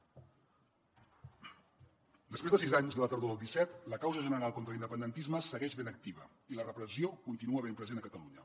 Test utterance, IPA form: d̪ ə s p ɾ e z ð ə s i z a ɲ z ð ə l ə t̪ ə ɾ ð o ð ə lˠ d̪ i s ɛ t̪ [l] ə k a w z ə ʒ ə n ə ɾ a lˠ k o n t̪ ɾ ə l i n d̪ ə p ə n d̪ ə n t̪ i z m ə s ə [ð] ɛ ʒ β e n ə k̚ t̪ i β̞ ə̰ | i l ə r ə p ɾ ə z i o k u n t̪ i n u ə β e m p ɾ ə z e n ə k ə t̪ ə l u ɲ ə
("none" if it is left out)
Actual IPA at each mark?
l, ɣ

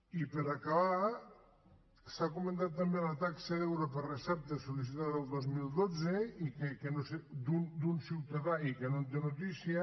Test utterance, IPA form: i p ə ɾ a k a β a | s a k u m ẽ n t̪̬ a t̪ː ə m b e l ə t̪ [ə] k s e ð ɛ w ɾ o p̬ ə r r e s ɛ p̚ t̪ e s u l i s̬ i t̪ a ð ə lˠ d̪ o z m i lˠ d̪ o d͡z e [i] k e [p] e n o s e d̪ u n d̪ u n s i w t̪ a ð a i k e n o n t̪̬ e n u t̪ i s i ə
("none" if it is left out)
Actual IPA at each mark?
a, i, k

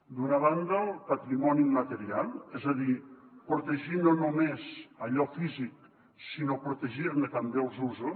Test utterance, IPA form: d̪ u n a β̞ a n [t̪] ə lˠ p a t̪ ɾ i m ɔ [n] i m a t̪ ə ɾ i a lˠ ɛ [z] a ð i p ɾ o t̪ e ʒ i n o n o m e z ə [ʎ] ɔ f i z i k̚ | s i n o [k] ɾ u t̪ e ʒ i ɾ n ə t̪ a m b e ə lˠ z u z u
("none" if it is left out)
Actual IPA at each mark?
d̪, n, z, ʎ, p

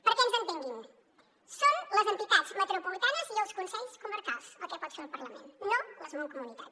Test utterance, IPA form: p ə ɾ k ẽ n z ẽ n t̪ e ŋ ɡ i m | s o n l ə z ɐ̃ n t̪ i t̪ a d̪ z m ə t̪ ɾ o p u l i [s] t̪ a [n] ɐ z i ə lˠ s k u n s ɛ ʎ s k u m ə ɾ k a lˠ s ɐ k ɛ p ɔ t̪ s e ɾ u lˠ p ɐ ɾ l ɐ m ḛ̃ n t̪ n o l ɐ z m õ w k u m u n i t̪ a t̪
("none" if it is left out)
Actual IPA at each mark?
none, n

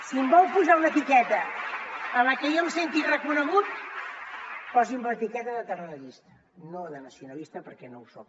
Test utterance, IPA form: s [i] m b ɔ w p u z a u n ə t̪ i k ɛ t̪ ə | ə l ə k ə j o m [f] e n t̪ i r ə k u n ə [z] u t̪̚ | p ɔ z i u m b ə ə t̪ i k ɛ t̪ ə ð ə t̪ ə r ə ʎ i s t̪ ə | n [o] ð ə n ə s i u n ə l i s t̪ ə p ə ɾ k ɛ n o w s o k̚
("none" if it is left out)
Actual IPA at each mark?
i, s, ɣ, o

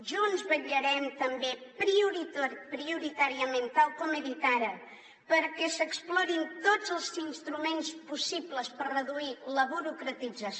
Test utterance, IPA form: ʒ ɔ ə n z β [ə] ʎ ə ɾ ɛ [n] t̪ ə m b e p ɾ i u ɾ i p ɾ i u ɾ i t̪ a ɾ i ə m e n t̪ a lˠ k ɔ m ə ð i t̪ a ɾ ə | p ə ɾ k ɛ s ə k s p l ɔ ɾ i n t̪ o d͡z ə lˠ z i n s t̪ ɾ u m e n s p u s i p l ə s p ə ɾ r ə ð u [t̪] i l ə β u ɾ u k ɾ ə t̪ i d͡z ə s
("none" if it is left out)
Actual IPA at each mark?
ə, m, none

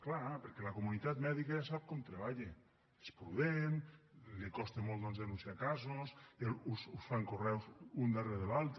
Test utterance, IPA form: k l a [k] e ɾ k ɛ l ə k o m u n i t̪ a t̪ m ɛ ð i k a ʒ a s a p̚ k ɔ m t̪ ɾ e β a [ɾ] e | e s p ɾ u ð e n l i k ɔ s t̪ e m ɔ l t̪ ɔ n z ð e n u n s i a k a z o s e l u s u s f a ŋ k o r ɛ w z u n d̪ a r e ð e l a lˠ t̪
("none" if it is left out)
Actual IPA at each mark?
p, ʎ

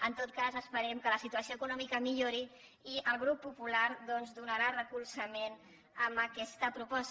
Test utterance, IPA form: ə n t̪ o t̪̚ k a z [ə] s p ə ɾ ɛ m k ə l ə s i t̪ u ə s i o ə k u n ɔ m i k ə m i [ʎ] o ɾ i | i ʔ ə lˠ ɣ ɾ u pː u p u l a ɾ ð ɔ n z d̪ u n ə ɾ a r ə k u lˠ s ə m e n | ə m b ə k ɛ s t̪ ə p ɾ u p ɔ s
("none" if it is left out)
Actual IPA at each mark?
ə, ʎ

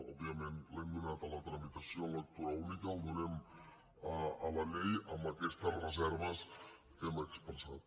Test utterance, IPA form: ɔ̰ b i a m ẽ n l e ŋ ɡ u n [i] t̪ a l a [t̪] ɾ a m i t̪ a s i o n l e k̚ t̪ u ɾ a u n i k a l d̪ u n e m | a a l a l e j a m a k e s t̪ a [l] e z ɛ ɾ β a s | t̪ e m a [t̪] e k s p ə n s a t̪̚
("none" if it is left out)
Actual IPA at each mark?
a, t̪, r, none

